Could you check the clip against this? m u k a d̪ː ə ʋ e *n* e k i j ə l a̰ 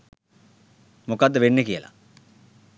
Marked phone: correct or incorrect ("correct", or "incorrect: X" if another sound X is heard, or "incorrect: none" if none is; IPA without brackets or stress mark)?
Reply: incorrect: nː